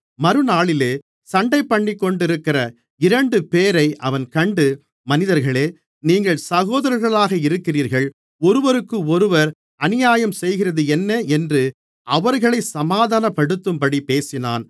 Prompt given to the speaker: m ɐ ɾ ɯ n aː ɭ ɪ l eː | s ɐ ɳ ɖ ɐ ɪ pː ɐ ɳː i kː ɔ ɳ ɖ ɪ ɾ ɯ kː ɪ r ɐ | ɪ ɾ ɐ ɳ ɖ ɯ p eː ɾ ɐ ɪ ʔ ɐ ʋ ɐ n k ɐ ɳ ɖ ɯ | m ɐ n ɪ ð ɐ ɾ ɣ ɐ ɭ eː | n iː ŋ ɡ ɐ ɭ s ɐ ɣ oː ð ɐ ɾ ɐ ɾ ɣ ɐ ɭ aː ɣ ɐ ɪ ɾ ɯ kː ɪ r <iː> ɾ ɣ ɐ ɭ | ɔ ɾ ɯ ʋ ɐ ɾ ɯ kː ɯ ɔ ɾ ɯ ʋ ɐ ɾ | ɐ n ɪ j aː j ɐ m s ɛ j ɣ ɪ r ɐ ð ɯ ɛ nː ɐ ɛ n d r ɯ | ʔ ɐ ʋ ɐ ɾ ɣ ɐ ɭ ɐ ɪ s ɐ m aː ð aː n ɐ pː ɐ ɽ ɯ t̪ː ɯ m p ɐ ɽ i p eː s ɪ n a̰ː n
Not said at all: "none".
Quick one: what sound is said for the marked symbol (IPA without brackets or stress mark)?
iː